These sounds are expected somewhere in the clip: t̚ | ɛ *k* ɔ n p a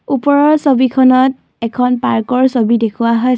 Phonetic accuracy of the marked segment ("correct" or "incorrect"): incorrect